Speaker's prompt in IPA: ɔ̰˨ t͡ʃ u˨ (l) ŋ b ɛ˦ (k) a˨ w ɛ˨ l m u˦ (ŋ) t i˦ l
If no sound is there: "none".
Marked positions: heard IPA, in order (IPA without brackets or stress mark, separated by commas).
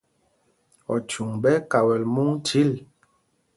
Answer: none, k, ŋ